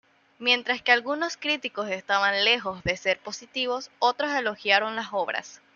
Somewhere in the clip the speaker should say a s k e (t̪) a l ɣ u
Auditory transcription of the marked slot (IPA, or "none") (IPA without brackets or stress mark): none